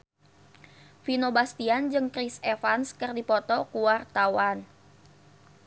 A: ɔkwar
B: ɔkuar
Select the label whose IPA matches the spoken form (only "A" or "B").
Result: B